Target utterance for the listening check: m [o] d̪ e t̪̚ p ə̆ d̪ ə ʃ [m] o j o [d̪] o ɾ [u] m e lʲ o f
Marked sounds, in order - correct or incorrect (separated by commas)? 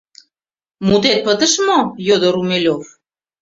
incorrect, correct, correct, correct